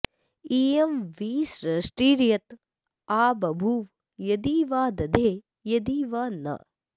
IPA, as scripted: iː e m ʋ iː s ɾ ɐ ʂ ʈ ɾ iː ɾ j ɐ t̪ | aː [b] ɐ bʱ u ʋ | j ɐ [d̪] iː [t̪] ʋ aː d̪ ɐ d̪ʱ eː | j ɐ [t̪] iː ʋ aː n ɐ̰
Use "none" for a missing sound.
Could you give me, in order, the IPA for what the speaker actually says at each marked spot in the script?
b, d̪, none, d̪

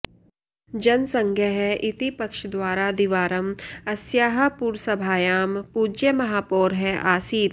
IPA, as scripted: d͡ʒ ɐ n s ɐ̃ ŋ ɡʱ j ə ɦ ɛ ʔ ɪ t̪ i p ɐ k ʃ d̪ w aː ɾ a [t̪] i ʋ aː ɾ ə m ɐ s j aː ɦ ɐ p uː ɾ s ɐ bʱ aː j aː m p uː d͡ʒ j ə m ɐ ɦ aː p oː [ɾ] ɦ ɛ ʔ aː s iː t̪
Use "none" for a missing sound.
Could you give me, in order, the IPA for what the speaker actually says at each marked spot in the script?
d̪, ɾ

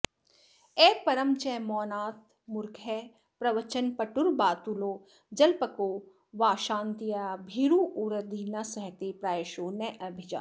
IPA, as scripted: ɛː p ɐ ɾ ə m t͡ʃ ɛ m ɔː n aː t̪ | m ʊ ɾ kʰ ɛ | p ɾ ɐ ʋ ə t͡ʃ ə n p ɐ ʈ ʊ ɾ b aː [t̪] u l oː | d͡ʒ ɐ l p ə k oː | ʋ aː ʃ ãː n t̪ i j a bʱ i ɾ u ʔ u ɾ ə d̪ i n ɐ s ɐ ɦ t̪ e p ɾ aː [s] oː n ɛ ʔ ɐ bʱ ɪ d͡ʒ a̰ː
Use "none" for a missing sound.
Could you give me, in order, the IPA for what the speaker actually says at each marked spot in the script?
t̪, ʃ

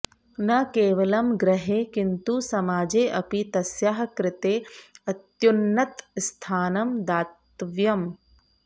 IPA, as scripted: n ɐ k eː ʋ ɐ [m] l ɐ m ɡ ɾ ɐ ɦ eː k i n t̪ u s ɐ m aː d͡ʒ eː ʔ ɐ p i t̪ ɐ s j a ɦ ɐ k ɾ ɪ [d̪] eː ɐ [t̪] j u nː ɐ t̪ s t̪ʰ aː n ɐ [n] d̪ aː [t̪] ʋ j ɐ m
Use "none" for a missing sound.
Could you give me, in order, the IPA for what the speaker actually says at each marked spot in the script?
none, t̪, t̪, m, t̪

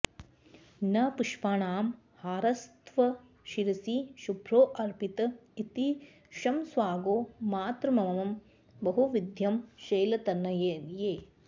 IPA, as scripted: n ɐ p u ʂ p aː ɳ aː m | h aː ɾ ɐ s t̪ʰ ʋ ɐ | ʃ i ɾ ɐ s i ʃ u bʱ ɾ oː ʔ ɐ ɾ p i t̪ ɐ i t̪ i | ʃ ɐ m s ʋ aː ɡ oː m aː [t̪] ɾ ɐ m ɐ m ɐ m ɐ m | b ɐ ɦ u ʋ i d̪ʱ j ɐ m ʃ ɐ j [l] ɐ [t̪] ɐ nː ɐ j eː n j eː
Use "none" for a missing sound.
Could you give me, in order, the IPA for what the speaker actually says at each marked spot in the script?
t̪, l, t̪

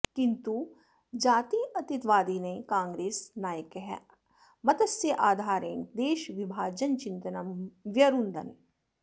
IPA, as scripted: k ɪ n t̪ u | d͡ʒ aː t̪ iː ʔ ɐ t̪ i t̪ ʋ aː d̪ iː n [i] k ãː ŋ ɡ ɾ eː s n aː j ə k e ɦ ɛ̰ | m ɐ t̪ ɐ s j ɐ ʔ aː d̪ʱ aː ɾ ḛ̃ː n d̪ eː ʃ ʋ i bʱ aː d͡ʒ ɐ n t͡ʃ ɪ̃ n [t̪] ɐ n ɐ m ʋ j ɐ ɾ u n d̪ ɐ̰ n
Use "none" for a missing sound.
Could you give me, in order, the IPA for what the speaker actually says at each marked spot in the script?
e, t̪

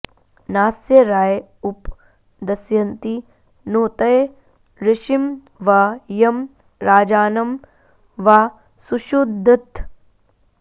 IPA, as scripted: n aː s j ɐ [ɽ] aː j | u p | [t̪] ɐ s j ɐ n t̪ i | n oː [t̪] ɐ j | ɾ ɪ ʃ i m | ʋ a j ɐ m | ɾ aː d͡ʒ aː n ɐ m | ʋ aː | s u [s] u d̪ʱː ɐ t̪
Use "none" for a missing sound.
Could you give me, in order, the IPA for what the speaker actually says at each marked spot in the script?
ɾ, d̪, t̪, ʃ

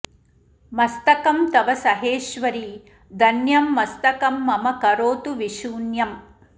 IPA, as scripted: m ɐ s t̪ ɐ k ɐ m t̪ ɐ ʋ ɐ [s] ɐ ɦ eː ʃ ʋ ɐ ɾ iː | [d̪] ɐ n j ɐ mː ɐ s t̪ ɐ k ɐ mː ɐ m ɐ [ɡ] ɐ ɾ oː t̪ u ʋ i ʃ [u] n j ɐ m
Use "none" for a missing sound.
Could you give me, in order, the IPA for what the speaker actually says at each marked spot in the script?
s, d̪, k, uː

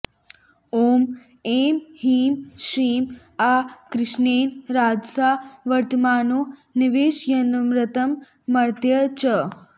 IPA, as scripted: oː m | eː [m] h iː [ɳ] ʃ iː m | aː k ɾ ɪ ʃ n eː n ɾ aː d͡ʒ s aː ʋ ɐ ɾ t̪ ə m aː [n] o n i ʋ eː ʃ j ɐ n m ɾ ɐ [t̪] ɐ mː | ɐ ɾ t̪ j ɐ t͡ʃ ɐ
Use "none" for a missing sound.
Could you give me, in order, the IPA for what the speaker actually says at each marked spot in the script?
m, m, n, t̪

